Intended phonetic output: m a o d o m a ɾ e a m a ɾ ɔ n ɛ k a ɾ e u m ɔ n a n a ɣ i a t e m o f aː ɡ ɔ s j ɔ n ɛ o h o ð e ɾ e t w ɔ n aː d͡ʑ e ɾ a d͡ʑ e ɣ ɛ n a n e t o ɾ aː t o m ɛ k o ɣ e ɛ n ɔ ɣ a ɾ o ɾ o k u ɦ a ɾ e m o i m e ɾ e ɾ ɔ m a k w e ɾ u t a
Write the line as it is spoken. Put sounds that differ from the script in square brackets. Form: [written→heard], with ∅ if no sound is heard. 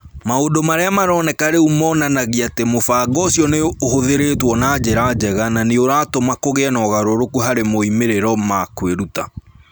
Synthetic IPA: m a o d o m a ɾ e a m a ɾ ɔ n ɛ k a ɾ e u m ɔ n a n a ɣ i a t e m o f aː ɡ ɔ s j ɔ n [ɛ→e] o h o ð e ɾ e t w ɔ n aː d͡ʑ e ɾ a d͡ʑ [e→ɛ] ɣ [ɛ→a] n a n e [t→∅] o ɾ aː t o m [ɛ→a] k o ɣ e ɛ n ɔ ɣ a ɾ o ɾ o k u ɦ a ɾ e m o i m e ɾ e ɾ ɔ m a k w e ɾ u t a